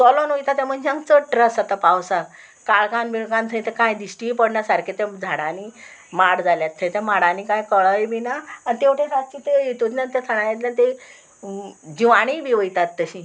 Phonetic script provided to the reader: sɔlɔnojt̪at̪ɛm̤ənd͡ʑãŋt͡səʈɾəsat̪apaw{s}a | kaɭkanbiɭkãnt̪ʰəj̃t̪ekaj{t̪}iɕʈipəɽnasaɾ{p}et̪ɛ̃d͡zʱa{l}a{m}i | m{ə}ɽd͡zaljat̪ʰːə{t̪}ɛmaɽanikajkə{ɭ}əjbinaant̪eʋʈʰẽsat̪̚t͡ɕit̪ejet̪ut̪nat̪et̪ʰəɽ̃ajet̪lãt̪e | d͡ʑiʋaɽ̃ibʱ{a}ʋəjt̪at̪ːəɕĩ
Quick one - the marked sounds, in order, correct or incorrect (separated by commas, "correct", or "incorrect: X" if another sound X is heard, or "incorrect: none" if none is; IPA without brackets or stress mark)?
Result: correct, incorrect: d̪, incorrect: k, incorrect: ɽ, incorrect: n, incorrect: a, correct, correct, incorrect: i